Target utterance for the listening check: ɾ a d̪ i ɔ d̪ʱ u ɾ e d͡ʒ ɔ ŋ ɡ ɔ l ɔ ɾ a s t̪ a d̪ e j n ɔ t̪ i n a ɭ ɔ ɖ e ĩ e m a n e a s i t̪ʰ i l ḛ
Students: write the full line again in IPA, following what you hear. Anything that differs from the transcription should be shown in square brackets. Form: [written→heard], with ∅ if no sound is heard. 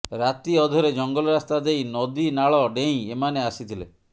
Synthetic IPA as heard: ɾ a [d̪→t̪] i ɔ d̪ʱ [u→ɔ] ɾ e d͡ʒ ɔ ŋ ɡ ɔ l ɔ ɾ a s t̪ a d̪ e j n ɔ [t̪→d̪] i n a ɭ ɔ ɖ e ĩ e m a n e a s i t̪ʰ i l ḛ